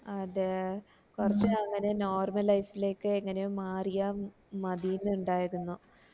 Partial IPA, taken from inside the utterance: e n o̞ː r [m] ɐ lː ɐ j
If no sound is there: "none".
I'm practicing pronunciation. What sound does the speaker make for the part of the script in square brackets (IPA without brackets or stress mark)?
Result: m